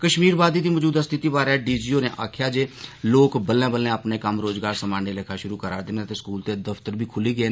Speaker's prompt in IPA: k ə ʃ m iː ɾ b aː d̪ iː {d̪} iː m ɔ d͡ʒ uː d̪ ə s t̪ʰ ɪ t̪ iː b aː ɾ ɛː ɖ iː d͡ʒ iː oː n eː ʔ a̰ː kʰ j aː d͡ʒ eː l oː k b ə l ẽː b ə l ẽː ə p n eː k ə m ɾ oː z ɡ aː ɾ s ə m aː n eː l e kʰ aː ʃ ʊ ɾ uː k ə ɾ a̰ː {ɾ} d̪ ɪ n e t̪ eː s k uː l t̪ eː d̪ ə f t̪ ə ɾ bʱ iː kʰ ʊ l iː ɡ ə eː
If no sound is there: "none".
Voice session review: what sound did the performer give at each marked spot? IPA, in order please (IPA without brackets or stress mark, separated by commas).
d̪, ɾ